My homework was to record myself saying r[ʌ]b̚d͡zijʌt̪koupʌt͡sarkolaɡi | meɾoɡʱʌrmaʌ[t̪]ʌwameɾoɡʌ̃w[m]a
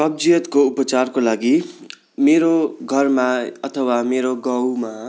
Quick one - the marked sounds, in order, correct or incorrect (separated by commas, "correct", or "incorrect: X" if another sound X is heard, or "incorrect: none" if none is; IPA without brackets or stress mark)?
correct, incorrect: t̪ʰ, correct